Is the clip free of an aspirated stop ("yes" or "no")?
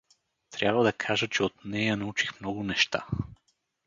no